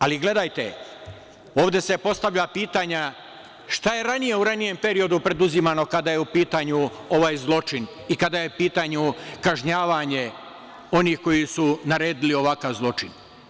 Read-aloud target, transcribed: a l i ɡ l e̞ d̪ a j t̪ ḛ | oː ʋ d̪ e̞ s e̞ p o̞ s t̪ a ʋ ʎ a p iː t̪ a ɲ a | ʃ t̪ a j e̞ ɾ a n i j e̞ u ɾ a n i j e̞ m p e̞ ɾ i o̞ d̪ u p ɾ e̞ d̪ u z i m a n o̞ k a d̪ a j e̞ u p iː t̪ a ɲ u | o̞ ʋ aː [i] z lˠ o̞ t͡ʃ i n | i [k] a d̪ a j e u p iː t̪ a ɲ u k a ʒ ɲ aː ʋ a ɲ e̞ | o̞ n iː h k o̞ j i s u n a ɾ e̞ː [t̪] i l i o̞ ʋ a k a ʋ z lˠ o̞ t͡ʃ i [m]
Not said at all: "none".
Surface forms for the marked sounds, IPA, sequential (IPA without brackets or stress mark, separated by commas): j, k, d̪, n